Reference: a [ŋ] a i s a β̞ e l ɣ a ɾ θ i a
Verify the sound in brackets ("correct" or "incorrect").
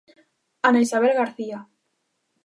incorrect